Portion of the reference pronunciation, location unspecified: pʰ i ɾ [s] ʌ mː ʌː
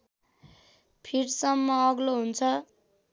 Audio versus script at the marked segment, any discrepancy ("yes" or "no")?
no